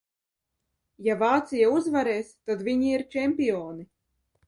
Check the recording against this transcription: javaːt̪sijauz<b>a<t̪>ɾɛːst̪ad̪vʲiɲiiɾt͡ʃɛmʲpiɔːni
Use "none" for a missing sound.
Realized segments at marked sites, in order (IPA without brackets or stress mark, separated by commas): v, none